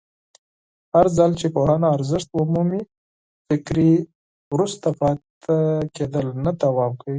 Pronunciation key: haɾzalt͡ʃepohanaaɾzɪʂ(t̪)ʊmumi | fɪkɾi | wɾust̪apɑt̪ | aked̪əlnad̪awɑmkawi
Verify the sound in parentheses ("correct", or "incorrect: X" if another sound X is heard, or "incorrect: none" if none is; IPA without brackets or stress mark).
correct